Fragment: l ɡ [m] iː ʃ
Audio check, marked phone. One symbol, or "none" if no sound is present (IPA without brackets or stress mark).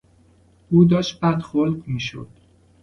m